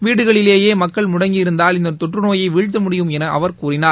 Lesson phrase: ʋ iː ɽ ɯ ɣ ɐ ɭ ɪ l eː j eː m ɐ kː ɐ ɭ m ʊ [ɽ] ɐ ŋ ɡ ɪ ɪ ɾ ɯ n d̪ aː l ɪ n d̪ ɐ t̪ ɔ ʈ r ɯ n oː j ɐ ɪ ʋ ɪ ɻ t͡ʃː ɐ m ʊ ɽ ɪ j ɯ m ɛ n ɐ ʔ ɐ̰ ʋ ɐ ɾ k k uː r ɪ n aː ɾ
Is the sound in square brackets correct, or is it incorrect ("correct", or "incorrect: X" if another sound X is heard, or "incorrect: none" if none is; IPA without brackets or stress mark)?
correct